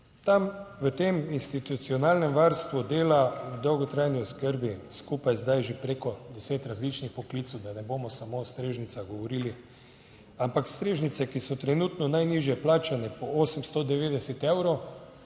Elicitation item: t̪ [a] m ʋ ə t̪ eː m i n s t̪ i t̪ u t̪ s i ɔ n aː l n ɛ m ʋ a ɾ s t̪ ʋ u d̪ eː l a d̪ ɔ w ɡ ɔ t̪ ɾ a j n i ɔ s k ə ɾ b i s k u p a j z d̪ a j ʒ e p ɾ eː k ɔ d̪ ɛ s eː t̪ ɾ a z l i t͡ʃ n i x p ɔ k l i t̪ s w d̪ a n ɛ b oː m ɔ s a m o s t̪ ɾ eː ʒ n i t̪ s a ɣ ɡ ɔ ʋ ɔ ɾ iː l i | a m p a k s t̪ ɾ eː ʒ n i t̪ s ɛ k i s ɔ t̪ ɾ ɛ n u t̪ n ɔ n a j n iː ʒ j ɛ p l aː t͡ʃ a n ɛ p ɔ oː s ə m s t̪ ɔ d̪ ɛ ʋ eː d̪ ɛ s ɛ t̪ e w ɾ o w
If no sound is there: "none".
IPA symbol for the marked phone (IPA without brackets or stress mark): a